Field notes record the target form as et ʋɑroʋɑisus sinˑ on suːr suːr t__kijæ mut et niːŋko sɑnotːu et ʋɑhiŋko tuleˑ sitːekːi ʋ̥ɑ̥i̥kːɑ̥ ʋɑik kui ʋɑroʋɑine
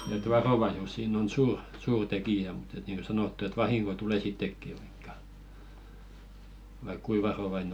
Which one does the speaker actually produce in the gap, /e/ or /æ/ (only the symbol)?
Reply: e